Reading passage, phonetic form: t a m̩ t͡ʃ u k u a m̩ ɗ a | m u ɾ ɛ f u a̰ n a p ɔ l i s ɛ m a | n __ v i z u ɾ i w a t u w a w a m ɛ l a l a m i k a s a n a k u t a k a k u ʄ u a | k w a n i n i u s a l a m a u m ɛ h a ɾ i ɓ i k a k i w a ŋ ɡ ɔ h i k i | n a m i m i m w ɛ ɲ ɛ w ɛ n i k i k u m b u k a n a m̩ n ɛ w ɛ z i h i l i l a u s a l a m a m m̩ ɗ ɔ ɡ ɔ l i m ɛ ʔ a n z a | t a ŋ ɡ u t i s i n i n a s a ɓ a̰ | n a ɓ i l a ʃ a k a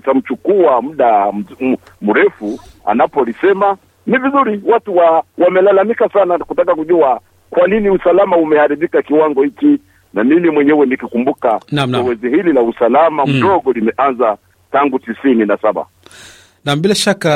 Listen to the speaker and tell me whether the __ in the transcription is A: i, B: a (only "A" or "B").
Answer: A